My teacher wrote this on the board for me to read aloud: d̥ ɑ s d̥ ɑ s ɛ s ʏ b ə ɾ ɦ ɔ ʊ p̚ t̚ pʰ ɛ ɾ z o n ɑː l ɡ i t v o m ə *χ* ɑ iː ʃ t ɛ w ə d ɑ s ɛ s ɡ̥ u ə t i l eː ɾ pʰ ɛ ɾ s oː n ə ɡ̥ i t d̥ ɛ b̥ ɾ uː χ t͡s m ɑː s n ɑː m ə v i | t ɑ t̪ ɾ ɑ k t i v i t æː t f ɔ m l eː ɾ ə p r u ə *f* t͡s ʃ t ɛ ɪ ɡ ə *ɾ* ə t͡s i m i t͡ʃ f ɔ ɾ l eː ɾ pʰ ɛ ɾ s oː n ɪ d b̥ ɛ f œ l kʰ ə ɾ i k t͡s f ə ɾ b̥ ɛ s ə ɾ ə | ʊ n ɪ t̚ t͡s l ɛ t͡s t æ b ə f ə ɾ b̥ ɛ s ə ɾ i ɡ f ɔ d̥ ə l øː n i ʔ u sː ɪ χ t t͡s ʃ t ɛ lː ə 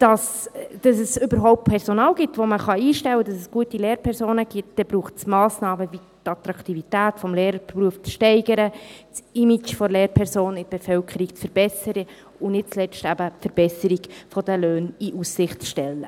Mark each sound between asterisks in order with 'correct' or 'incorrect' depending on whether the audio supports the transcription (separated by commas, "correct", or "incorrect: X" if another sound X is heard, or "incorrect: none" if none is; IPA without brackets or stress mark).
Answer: correct, correct, correct